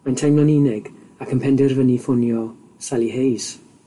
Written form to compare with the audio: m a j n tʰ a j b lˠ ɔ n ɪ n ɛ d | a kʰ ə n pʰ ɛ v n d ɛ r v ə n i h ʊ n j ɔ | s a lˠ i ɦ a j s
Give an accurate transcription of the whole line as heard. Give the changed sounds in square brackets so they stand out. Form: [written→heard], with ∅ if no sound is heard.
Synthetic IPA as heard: m a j n tʰ a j [b→m] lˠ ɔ n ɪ n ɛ [d→ɡ] | a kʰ ə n pʰ ɛ [v→∅] n d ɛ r v ə n i [h→f] ʊ n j ɔ | s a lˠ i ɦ [a→e] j s

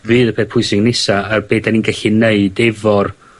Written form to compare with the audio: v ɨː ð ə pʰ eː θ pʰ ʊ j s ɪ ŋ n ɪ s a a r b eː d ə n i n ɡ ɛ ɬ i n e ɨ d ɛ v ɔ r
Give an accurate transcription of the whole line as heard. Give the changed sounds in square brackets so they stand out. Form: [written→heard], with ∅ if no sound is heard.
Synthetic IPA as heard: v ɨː ð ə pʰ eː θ pʰ ʊ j s ɪ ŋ n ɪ s a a r b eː d [ə→a] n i n ɡ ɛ ɬ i n e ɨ d ɛ v ɔ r

